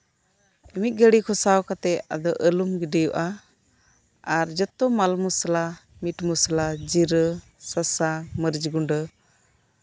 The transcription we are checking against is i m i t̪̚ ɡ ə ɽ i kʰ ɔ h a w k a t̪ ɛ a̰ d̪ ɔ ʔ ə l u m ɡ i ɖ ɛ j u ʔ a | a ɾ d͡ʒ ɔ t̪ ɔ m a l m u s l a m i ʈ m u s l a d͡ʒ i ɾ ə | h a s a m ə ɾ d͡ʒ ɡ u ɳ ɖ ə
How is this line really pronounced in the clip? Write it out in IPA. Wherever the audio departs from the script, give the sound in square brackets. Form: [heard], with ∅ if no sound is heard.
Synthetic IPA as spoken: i m i t̪̚ ɡ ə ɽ i kʰ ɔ [s] a w k a t̪ ɛ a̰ d̪ ɔ ʔ ə l u m ɡ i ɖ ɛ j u ʔ a | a ɾ d͡ʒ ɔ t̪ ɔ m a l m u s l a m i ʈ m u s l a d͡ʒ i ɾ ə | [s] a s a m ə ɾ d͡ʒ ɡ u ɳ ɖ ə